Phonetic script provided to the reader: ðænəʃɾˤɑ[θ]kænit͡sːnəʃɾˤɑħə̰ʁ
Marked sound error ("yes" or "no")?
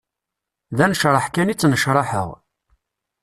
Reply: yes